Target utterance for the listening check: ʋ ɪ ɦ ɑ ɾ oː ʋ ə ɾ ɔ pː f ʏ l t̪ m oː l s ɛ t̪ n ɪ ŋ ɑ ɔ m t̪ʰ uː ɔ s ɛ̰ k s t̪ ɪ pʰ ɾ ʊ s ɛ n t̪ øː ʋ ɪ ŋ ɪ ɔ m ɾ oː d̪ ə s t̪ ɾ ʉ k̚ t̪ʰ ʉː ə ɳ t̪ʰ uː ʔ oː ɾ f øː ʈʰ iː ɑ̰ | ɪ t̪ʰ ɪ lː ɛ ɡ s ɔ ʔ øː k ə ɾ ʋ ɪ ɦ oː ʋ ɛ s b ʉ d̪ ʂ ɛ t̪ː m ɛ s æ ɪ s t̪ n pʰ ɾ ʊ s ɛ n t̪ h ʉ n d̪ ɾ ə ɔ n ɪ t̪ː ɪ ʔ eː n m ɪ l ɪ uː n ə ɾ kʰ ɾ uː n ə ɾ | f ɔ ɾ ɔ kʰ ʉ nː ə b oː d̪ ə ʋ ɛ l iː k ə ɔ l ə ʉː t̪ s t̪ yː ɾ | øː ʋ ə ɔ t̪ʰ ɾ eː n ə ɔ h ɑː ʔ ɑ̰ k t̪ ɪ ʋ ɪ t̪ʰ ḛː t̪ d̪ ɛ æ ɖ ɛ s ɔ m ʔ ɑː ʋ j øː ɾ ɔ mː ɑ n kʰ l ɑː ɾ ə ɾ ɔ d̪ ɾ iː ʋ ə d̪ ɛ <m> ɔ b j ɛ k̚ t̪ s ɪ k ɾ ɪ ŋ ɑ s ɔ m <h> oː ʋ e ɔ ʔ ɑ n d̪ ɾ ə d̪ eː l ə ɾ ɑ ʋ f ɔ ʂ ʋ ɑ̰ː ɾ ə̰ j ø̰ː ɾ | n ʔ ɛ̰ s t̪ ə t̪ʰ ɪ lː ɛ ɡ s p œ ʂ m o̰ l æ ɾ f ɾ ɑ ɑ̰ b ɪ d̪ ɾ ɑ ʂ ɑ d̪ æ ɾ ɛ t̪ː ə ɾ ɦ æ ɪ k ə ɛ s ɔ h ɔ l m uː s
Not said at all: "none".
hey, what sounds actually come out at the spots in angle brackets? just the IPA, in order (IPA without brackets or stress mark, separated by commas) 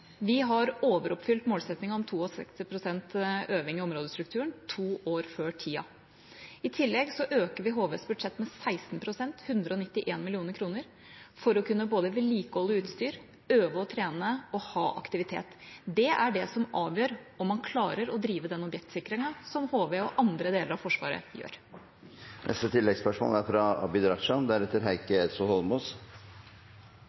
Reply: n, h